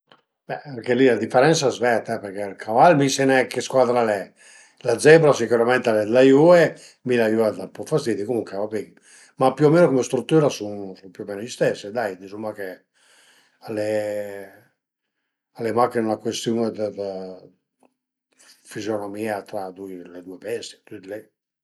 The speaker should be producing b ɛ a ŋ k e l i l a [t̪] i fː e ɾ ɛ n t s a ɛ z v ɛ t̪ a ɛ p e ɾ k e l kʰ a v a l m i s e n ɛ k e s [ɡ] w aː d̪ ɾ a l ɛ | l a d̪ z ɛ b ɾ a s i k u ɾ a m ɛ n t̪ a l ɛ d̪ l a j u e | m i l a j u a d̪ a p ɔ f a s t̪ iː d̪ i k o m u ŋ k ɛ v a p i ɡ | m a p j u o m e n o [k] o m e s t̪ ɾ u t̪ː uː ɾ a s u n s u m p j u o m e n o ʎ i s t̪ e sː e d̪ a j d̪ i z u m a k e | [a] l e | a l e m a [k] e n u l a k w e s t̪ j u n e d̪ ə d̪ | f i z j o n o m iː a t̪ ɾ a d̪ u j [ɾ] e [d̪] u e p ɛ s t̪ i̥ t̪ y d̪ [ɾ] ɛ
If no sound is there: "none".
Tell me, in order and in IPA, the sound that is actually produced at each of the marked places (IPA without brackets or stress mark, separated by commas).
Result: d̪, k, k, a, k, l, d̪, l